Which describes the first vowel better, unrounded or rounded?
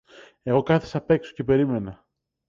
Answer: unrounded